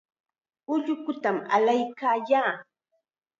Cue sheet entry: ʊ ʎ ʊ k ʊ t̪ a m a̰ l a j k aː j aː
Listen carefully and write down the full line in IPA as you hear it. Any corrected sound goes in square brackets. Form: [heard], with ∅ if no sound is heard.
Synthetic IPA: ʊ ʎ ʊ k ʊ t̪ a m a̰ l a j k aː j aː